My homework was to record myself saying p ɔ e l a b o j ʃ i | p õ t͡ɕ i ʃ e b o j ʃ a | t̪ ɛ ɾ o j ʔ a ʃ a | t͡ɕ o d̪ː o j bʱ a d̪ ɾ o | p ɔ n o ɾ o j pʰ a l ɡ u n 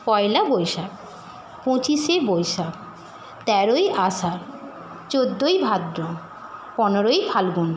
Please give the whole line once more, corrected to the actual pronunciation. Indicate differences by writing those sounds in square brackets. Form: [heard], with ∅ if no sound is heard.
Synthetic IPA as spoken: p ɔ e l a b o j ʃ [a] | p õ t͡ɕ i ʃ e b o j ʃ a | t̪ ɛ ɾ o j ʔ a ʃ a | t͡ɕ o d̪ː o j bʱ a d̪ ɾ o | p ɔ n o ɾ o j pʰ a l ɡ u n